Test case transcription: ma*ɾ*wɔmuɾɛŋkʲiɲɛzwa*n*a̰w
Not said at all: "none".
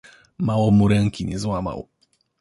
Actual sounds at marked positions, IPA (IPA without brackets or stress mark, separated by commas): none, m